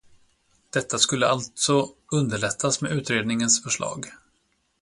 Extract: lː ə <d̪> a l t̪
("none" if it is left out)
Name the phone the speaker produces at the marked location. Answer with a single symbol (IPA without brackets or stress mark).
none